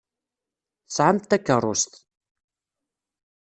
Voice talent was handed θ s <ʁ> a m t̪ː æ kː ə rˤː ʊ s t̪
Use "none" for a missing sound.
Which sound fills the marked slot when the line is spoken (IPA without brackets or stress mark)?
ʕ